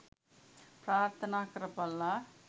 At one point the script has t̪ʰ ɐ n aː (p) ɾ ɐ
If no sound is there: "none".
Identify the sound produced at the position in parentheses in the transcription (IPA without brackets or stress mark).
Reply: k